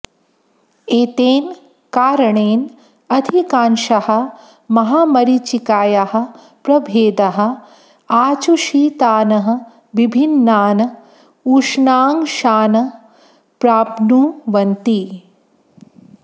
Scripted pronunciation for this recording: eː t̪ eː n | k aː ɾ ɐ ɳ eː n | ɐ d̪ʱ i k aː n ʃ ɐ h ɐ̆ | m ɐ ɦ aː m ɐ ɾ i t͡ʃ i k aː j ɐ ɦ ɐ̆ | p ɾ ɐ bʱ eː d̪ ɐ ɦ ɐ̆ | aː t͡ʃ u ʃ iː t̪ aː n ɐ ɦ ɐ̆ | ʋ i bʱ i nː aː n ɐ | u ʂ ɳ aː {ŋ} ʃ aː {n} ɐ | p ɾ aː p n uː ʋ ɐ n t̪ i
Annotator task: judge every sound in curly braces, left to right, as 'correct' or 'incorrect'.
correct, correct

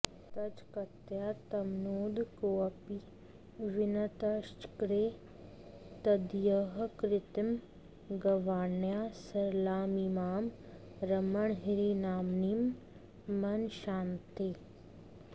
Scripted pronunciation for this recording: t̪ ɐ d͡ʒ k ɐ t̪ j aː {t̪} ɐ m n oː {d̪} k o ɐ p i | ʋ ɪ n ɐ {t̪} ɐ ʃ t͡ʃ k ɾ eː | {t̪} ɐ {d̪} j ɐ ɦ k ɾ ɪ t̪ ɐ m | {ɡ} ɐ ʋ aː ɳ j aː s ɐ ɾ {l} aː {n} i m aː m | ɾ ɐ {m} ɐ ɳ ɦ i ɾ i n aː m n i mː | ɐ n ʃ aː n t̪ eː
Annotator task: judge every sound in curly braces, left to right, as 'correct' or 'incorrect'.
correct, correct, correct, correct, correct, correct, correct, incorrect: m, correct

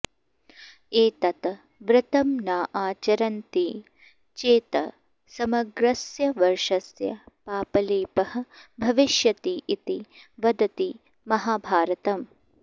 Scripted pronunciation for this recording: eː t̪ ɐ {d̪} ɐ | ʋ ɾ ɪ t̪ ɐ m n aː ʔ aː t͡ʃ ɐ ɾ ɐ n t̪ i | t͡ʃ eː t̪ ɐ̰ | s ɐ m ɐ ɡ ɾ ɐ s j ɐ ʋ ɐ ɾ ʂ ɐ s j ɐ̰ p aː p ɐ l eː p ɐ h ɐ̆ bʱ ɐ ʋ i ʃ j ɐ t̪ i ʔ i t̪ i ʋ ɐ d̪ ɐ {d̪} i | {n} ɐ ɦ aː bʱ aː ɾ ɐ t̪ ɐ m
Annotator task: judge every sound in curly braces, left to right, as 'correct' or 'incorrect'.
incorrect: t̪, incorrect: t̪, incorrect: m

